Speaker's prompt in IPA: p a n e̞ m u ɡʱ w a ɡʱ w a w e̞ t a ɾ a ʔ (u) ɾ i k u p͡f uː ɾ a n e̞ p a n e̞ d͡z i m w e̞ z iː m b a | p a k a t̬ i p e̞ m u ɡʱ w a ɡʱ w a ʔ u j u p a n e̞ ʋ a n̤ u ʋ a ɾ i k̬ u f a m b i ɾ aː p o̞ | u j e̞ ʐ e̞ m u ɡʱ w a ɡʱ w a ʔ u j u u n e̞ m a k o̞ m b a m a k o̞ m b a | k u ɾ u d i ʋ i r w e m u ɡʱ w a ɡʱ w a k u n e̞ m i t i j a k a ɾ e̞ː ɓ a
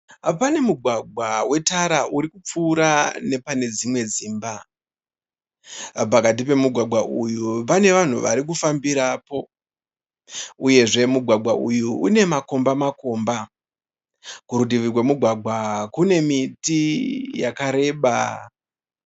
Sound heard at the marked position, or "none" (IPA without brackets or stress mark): u